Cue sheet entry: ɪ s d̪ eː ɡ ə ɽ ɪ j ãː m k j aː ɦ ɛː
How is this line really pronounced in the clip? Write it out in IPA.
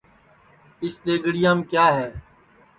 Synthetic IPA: ɪ s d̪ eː ɡ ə ɽ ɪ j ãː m k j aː ɦ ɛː